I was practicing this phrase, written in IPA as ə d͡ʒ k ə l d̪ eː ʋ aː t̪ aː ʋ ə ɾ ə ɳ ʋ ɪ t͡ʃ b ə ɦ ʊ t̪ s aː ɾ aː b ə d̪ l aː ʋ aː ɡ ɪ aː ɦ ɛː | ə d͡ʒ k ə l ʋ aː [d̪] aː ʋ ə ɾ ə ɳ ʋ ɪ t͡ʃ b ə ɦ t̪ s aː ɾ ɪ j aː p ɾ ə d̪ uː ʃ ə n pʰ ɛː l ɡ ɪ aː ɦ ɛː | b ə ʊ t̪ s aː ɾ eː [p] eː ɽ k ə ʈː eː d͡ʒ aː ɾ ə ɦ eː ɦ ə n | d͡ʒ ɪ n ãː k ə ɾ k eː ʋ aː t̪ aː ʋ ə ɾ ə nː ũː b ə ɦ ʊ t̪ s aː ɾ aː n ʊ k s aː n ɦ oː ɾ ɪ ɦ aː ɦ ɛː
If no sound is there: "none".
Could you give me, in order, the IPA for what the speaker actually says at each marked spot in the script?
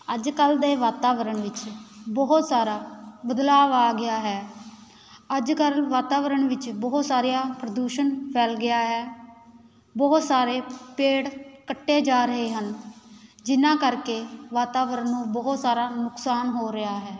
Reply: t̪, p

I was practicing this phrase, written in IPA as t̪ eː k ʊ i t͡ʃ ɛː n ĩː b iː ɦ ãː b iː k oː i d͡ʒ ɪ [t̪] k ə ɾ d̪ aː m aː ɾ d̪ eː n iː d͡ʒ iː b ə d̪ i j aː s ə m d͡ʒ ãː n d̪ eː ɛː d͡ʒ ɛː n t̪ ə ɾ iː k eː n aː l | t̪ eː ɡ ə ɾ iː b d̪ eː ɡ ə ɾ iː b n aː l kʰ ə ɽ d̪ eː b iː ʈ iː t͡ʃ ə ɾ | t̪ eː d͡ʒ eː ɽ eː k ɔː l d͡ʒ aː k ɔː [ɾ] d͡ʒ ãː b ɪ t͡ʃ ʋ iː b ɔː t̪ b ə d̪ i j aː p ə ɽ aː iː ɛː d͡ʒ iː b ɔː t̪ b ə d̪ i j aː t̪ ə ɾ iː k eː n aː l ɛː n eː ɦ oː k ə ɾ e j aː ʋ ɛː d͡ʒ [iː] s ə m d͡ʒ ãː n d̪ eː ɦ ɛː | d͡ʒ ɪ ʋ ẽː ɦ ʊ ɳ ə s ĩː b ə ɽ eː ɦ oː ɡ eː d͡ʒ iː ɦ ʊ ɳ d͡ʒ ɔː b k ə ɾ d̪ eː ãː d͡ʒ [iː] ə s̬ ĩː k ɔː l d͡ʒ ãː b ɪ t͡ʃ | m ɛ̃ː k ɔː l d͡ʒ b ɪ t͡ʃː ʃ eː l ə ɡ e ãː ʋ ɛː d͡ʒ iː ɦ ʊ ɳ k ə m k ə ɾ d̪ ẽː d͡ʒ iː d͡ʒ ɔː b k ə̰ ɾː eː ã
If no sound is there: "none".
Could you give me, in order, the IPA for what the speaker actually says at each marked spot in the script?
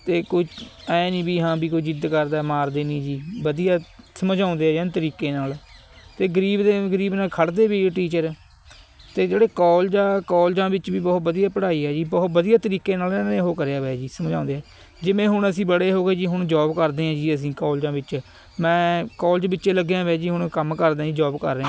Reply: d̪, l, iː, iː

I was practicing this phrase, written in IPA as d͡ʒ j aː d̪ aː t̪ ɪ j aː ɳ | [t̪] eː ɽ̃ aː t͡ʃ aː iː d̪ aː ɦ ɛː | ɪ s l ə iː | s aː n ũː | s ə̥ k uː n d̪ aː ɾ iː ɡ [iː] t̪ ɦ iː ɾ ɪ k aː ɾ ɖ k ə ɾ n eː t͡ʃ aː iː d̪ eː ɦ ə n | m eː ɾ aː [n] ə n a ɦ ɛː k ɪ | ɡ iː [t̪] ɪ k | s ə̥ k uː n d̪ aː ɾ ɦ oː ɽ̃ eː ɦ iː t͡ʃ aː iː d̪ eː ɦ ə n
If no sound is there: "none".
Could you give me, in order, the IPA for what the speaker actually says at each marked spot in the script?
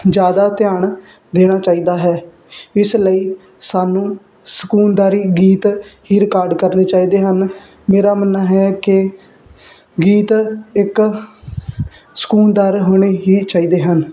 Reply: d̪, iː, m, t̪

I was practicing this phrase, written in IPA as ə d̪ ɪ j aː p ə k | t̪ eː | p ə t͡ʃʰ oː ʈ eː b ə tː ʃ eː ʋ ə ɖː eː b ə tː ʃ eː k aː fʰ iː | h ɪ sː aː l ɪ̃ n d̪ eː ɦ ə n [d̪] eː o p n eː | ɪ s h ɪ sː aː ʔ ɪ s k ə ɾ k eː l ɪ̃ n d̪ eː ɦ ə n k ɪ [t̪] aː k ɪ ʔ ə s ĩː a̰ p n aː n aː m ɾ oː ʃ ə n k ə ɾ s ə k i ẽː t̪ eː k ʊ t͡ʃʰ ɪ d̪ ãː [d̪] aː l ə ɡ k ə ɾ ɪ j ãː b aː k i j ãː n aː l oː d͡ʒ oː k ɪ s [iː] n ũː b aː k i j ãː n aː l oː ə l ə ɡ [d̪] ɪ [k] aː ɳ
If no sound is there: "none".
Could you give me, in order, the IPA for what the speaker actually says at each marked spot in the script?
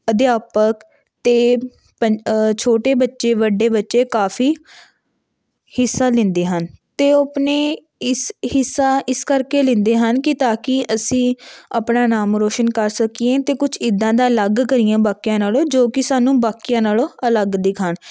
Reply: t̪, t̪, d̪, aː, d̪, kʰ

